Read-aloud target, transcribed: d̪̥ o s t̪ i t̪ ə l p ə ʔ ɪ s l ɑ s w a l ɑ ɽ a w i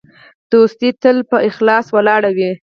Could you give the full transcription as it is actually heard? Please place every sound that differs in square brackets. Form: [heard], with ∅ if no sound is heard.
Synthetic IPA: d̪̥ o s t̪ i t̪ ə l p ə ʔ ɪ [x] l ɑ s w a l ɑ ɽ a w i